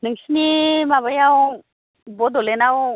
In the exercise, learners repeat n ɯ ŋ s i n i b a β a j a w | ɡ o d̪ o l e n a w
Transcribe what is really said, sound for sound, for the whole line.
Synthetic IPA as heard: n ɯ ŋ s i n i m a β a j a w | b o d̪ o l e n a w